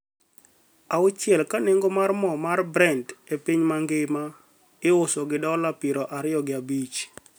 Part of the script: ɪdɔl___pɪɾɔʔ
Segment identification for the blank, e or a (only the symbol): a